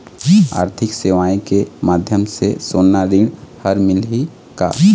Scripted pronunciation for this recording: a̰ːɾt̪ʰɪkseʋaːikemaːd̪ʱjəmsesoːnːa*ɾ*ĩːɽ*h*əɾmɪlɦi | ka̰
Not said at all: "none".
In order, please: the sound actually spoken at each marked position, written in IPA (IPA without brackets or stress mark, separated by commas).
ɾ, h